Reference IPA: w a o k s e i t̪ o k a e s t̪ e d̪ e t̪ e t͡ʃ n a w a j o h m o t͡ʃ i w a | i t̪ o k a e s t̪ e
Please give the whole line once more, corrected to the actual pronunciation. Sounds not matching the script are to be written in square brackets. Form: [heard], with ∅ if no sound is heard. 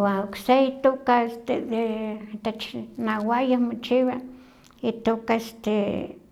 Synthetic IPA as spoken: w a o k s e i t̪ o k a e s t̪ e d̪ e t̪ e t͡ʃ n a w a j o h m o t͡ʃ i w a | i t̪ o k a e s t̪ e